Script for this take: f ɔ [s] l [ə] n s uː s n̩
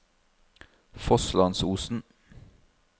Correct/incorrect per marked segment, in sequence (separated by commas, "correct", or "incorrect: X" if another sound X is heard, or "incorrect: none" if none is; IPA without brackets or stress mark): correct, incorrect: ɑ